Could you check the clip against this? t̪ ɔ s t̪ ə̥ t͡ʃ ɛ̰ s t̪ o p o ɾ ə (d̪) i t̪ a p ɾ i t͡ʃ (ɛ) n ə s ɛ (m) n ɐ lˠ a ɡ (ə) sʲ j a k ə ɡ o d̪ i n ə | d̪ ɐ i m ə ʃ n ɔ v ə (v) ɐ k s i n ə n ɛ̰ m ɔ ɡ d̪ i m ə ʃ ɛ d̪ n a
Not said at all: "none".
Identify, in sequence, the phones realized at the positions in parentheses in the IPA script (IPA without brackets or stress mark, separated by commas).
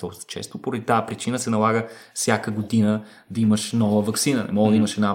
d̪, i, none, ə, v